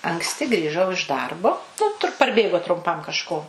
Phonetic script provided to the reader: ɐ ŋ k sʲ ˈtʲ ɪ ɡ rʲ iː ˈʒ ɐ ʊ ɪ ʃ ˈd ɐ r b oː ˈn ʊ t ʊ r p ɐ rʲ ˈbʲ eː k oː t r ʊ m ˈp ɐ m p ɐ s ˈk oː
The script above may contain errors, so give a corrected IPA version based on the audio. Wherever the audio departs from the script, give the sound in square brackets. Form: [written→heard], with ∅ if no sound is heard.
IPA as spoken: ɐ ŋ k sʲ ˈtʲ ɪ ɡ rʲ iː ˈʒ ɐ ʊ ɪ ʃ ˈd ɐ r b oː ˈn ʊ t ʊ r p ɐ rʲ ˈbʲ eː [k→ɡ] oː t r ʊ m ˈp ɐ m [p→k] ɐ [s→ʃ] ˈk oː

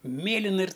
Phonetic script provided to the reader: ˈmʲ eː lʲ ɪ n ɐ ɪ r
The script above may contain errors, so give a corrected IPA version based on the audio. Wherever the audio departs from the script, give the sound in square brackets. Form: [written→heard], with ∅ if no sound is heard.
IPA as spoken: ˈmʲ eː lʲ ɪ n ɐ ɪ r

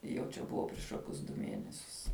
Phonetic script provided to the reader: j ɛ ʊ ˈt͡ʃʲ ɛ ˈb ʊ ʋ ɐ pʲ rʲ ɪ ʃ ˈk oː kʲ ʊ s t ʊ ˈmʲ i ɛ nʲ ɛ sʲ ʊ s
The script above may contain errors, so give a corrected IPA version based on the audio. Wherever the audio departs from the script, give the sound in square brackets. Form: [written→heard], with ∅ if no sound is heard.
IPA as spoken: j ɛ ʊ ˈt͡ʃʲ ɛ ˈb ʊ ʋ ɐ pʲ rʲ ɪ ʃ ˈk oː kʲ ʊ s [t→d] ʊ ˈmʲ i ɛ nʲ ɛ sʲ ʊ s

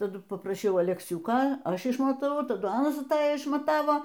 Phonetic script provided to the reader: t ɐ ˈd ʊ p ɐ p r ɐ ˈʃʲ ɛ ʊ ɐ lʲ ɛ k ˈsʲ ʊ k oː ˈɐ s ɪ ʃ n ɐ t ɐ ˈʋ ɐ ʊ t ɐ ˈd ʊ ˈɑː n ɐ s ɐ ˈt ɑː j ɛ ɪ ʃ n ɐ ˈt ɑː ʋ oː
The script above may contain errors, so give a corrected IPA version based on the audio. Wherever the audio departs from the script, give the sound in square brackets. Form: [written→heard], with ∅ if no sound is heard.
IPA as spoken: t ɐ ˈd ʊ p ɐ p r ɐ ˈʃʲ ɛ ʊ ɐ lʲ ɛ k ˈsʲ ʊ k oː ˈɐ [s→ʃ] ɪ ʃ [n→m] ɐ t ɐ ˈʋ ɐ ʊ t ɐ ˈd ʊ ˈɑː n ɐ s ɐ ˈt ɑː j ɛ ɪ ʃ [n→m] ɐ ˈt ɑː ʋ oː

